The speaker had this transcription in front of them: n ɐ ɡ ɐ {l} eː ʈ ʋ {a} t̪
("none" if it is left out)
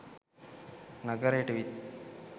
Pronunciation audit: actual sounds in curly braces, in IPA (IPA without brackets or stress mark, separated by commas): ɾ, i